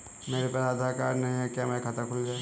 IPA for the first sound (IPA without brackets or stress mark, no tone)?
m